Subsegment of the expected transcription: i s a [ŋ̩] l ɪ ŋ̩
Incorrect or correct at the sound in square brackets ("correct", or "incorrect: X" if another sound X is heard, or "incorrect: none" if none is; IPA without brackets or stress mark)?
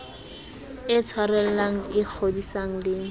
correct